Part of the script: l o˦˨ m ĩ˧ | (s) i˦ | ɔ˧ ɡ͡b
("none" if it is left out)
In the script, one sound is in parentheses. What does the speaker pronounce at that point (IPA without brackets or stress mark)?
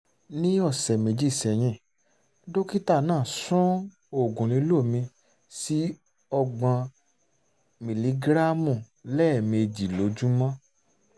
s